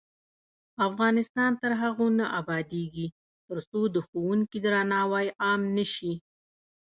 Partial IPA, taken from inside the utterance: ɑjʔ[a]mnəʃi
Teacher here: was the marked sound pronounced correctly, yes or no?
no